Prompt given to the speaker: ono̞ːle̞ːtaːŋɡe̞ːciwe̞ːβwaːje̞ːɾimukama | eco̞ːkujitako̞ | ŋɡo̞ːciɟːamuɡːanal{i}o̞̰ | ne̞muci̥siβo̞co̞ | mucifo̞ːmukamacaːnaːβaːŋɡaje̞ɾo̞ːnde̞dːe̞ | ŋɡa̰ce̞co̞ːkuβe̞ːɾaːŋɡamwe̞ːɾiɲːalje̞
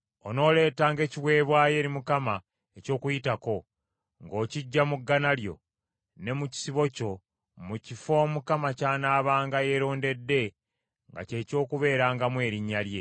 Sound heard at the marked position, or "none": j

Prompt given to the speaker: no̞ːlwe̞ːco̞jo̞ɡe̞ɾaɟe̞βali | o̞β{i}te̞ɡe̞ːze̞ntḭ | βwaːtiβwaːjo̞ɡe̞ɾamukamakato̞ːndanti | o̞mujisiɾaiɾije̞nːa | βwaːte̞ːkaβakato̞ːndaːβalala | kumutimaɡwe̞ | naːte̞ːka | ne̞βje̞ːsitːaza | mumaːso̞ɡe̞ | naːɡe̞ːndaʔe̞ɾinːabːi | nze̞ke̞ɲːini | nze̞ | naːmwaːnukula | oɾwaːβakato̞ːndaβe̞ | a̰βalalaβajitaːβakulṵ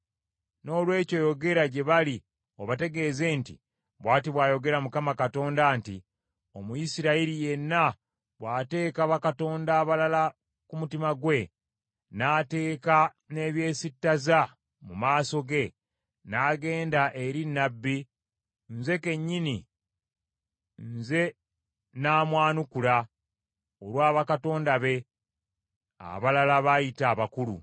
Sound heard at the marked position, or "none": a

